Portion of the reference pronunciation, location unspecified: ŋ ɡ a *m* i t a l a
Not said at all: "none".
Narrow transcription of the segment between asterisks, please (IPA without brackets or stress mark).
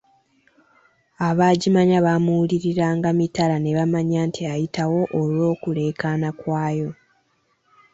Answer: m